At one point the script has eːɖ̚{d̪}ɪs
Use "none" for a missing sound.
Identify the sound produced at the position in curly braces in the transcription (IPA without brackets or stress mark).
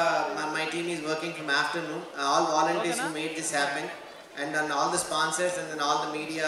d̪